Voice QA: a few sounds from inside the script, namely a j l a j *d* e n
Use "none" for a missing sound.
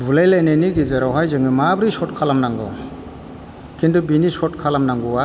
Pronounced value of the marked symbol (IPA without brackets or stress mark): n